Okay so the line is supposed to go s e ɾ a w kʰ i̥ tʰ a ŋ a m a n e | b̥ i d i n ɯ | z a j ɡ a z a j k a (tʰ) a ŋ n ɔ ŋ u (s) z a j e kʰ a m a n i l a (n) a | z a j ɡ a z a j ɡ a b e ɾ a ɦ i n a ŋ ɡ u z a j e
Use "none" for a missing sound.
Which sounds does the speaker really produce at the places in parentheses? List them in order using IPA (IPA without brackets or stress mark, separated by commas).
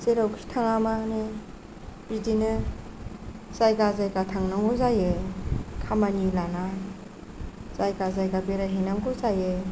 tʰ, none, n